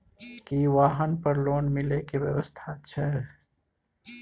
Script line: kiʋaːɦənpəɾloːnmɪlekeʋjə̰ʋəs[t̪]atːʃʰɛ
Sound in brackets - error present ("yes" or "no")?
yes